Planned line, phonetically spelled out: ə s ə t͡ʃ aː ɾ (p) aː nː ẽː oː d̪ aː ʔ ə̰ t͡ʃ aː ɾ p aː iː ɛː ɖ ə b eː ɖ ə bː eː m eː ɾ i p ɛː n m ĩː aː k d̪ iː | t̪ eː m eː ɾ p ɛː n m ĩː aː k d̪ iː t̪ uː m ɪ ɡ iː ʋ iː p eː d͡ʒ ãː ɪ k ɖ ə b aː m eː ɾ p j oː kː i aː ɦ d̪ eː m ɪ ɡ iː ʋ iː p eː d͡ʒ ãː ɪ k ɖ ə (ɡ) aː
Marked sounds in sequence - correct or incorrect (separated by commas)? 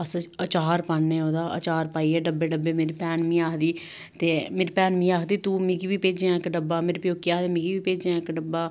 correct, incorrect